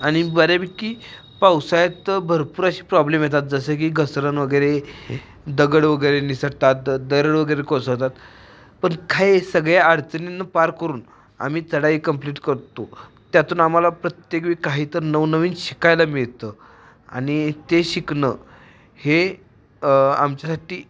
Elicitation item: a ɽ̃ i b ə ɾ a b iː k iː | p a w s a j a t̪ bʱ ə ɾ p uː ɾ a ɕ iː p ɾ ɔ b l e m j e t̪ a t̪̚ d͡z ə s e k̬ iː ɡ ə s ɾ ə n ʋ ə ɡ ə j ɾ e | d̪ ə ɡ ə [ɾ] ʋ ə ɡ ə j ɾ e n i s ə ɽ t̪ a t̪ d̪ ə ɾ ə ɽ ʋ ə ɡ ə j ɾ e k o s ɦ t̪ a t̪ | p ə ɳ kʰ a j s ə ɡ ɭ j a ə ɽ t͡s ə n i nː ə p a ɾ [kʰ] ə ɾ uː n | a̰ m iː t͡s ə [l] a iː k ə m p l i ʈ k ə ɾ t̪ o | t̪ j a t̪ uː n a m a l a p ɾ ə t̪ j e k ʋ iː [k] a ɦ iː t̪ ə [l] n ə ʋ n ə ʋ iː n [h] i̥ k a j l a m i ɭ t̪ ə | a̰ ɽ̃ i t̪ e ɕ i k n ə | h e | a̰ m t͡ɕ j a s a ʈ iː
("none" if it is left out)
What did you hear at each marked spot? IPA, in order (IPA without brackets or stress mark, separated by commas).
ɽ, k, ɽ, k, ɾ, ɕ